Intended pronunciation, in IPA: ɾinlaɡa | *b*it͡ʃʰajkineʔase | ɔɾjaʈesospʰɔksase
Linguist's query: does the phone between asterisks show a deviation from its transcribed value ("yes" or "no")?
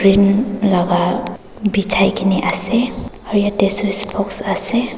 no